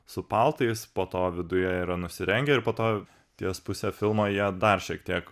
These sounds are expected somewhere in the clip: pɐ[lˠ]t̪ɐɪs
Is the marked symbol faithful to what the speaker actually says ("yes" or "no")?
yes